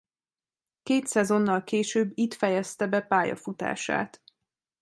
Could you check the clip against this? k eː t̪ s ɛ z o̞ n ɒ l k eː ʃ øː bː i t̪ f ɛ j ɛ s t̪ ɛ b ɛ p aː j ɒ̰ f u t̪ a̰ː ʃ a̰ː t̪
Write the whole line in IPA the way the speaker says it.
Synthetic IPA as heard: k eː t̪ s ɛ z o̞ nː ɒ l k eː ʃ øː bː i t̪ f ɛ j ɛ s t̪ ɛ b ɛ p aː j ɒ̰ f u t̪ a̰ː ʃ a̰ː t̪